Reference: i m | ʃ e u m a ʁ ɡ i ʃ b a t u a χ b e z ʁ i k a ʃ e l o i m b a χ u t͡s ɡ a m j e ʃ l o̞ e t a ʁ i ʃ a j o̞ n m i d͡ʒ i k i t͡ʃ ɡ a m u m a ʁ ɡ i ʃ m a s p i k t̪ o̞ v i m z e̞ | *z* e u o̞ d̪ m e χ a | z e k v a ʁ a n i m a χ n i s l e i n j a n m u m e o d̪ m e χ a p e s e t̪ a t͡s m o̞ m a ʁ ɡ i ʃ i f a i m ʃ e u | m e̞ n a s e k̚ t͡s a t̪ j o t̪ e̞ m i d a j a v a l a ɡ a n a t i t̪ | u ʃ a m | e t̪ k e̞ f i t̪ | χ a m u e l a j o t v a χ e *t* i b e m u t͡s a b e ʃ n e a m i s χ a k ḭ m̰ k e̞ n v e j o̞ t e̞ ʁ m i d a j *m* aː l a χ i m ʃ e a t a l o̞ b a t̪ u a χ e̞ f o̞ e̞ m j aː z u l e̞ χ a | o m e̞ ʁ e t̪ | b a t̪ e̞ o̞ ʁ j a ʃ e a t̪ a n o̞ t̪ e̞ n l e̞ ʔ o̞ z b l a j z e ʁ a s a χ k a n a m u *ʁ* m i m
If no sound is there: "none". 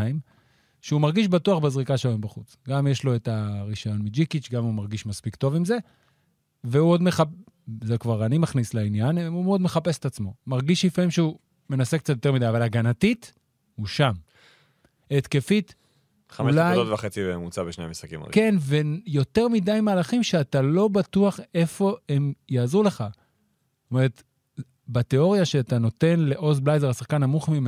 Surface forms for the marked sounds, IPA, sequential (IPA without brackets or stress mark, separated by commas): v, t͡s, m, χ